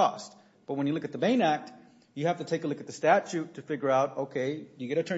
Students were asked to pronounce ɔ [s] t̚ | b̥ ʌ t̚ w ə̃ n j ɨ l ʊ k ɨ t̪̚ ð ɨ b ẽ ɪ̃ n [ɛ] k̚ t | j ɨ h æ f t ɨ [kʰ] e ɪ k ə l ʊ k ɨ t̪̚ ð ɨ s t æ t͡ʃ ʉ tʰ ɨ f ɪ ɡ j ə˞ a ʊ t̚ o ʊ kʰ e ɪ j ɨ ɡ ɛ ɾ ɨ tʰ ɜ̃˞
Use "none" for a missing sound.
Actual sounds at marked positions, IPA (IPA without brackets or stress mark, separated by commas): s, æ, tʰ